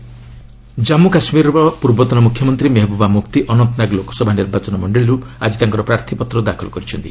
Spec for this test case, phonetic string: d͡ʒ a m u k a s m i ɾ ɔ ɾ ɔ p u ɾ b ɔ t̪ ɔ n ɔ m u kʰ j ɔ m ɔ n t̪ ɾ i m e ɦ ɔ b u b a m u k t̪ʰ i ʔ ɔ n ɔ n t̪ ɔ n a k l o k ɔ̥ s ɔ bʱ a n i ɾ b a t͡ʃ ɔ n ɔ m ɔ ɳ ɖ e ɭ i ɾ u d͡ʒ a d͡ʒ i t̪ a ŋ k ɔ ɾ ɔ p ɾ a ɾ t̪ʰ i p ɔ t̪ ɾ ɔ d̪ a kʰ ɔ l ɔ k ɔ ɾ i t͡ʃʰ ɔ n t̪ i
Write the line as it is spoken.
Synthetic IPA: d͡ʒ a m u k a s m i ɾ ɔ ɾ ɔ p u ɾ b ɔ t̪ ɔ n ɔ m u kʰ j ɔ m ɔ n t̪ ɾ i m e ɦ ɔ b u b a m u k t̪ i ʔ ɔ n ɔ n t̪ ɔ n a ɡ l o k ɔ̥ s ɔ bʱ a n i ɾ b a t͡ʃ ɔ n ɔ m ɔ ɳ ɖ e ɭ i ɾ u a d͡ʒ i t̪ a ŋ k ɔ ɾ ɔ p ɾ a ɾ t̪ʰ i p ɔ t̪ ɾ ɔ d̪ a kʰ ɔ l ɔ k ɔ ɾ i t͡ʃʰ ɔ n t̪ i